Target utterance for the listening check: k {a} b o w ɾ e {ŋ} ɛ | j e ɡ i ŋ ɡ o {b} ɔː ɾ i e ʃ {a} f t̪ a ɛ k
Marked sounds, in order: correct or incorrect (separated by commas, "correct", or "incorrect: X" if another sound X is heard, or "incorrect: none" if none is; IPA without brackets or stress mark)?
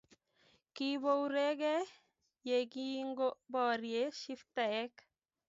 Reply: incorrect: i, incorrect: ɡ, correct, incorrect: i